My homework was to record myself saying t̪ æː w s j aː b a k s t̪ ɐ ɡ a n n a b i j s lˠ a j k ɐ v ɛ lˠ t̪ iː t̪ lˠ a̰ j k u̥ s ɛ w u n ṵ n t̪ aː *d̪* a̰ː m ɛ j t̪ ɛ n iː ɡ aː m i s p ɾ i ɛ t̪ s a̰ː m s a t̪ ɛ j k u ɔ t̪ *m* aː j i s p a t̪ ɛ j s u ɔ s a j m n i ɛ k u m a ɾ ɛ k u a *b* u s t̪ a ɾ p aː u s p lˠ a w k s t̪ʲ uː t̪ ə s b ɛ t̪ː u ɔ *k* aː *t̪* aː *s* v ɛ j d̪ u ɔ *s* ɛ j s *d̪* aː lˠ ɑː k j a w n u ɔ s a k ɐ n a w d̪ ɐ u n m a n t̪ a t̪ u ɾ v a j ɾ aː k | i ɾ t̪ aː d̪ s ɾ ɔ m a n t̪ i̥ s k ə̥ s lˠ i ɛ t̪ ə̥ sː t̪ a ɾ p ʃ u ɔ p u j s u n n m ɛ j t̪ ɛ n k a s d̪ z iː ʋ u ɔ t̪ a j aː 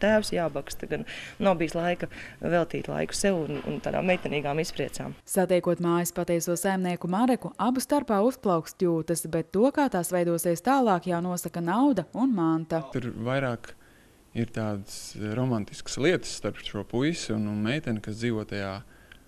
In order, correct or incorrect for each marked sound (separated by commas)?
correct, correct, correct, correct, correct, correct, correct, incorrect